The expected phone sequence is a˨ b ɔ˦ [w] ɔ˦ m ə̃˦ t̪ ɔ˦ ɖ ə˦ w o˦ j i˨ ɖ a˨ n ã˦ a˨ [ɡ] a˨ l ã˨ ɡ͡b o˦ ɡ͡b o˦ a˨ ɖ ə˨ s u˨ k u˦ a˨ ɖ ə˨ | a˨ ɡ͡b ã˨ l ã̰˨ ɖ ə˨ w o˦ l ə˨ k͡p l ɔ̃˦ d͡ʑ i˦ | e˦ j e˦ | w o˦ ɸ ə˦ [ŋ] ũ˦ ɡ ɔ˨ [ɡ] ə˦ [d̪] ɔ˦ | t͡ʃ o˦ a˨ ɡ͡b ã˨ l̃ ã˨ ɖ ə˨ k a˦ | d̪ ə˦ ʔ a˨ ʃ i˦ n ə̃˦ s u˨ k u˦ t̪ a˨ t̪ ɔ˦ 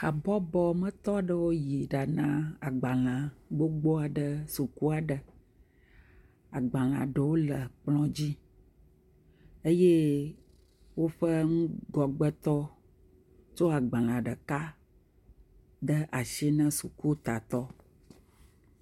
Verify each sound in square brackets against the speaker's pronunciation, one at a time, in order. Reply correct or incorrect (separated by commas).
incorrect, incorrect, correct, incorrect, incorrect